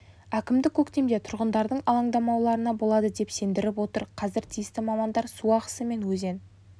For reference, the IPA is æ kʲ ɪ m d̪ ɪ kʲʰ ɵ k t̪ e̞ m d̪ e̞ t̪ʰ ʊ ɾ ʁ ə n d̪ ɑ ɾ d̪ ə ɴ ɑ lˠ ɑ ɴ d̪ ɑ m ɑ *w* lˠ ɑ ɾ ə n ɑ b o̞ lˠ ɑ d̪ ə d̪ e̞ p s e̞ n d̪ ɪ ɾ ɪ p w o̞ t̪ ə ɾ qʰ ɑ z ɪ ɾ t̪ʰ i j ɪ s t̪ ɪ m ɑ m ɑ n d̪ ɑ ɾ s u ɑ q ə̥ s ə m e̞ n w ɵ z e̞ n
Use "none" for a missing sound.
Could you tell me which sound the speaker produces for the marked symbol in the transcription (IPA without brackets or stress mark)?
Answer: w